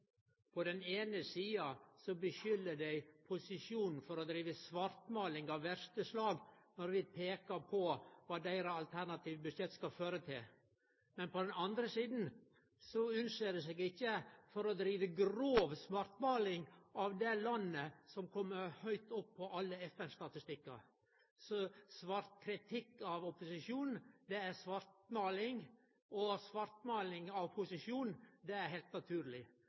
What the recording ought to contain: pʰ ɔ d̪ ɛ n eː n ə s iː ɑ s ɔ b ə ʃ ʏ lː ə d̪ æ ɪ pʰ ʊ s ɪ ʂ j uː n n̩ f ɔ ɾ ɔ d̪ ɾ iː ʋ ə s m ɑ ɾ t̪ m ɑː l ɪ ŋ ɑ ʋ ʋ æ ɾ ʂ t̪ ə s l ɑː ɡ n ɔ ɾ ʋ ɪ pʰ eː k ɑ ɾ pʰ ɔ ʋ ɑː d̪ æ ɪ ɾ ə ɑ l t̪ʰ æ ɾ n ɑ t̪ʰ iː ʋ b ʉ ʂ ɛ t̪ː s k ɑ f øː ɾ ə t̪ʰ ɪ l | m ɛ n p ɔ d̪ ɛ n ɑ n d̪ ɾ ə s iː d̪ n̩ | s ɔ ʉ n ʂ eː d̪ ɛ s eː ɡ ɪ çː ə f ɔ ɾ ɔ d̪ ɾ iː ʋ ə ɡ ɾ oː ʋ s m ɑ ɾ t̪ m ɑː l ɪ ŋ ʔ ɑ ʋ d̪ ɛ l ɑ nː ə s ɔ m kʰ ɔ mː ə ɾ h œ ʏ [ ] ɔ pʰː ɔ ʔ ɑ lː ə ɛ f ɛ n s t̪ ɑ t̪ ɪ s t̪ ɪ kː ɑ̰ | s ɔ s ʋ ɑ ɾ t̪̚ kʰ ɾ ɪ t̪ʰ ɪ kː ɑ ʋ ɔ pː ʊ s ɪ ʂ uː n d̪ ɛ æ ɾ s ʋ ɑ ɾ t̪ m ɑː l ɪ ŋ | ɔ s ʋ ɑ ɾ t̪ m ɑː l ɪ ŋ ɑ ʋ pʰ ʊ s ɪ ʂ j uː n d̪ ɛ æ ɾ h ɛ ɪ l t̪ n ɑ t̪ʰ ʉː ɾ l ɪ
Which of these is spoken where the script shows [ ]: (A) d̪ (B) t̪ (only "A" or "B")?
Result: B